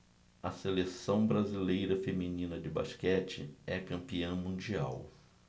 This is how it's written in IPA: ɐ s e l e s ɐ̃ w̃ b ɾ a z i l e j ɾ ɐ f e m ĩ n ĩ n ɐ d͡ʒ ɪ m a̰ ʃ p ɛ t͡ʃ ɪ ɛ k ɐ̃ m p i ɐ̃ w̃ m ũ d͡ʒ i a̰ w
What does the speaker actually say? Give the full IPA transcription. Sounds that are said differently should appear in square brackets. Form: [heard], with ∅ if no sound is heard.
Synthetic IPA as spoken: ɐ s e l e s ɐ̃ w̃ b ɾ a z i l e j ɾ ɐ f e m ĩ n ĩ n ɐ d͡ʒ ɪ [b] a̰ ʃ [k] ɛ t͡ʃ ɪ ɛ k ɐ̃ m p i ɐ̃ w̃ m ũ d͡ʒ i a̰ w